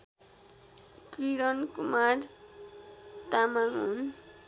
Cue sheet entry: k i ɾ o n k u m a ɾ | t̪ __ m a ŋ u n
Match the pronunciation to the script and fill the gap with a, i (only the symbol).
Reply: a